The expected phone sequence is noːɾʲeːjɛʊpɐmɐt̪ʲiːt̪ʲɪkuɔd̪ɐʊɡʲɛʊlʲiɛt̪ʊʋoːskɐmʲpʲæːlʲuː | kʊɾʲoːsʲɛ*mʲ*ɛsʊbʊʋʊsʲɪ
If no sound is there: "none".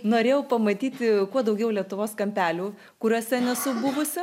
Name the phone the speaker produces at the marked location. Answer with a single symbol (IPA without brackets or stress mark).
nʲ